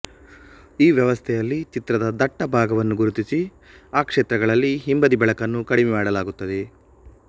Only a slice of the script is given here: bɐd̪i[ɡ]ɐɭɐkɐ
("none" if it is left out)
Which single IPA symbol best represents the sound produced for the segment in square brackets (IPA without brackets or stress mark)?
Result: b